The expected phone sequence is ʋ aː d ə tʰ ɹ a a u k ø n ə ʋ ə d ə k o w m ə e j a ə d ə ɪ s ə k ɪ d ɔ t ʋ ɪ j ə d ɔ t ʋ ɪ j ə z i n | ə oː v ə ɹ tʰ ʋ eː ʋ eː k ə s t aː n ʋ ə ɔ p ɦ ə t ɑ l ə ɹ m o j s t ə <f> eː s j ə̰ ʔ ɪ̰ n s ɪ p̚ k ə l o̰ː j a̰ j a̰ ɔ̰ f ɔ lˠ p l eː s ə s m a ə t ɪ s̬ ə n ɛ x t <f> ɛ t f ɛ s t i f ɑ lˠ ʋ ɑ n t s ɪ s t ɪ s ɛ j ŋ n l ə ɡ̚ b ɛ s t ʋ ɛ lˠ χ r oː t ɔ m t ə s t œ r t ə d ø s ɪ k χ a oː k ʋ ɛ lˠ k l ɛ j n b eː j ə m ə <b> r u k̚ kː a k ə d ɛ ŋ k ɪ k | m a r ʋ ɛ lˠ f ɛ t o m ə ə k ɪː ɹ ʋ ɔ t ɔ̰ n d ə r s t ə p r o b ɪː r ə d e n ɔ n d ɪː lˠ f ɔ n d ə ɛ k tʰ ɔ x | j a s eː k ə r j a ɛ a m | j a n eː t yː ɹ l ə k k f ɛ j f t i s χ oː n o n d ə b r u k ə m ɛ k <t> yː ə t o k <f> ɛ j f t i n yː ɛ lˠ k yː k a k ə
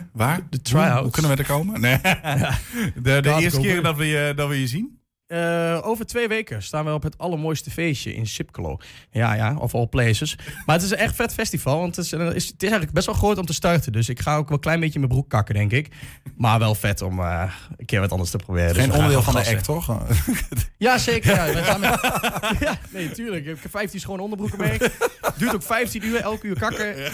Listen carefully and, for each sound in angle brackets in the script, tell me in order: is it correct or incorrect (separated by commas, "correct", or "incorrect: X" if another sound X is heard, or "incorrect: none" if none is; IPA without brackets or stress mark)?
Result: correct, correct, correct, incorrect: d, correct